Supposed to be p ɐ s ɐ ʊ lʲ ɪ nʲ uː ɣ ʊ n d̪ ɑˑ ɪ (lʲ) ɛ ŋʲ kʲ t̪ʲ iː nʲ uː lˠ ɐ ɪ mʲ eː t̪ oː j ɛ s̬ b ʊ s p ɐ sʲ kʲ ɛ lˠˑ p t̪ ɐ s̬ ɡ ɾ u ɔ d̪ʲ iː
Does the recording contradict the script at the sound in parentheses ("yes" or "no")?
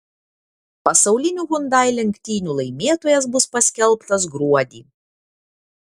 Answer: no